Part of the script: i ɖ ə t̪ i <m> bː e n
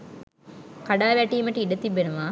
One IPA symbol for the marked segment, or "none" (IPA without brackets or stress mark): none